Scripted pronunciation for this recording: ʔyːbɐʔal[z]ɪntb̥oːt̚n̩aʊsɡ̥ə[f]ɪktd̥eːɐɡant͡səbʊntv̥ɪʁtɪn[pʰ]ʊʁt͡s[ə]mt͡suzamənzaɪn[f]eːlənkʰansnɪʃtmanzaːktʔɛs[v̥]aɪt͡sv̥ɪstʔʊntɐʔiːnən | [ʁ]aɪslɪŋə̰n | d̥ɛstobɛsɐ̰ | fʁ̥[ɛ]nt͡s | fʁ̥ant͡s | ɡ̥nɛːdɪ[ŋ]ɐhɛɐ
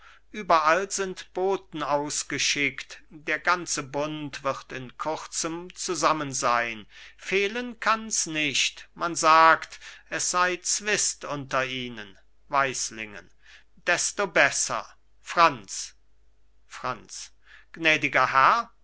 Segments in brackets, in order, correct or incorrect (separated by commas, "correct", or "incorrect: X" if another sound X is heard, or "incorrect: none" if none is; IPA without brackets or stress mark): correct, incorrect: ʃ, incorrect: kʰ, correct, correct, incorrect: z̥, incorrect: v, incorrect: a, incorrect: ɡ